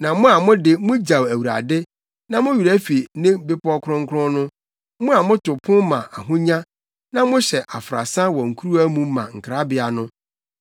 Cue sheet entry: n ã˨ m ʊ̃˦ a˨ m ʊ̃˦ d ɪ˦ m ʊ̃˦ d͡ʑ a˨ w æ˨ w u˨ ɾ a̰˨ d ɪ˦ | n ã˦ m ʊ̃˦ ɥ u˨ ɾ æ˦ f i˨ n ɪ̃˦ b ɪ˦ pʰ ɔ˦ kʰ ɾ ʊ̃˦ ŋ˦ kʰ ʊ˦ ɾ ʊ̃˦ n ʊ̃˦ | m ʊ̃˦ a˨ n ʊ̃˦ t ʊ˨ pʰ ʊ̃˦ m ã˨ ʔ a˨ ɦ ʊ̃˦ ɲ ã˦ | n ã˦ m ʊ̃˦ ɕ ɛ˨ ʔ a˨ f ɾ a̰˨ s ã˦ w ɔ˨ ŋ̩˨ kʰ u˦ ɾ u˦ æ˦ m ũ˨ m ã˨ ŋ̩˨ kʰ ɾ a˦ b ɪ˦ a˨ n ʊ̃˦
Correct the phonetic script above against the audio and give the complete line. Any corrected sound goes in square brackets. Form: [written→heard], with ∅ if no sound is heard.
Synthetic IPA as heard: n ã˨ m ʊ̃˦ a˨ m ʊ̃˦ d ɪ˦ m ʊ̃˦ d͡ʑ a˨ w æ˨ w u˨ ɾ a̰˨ d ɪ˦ | n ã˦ m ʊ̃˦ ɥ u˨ ɾ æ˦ f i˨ n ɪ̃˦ b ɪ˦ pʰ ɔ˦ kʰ ɾ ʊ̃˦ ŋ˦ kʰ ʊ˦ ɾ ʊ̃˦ n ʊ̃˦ | m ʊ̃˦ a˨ [n→m] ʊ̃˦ t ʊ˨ pʰ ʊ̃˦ m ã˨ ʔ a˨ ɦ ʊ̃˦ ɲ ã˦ | n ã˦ m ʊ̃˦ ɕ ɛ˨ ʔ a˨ f ɾ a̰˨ s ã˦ w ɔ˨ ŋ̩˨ kʰ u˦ ɾ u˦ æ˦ m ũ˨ m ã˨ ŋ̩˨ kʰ ɾ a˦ b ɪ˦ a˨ n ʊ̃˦